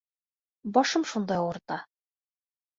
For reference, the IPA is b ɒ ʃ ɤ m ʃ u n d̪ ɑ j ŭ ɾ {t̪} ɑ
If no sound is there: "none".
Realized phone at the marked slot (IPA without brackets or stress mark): t̪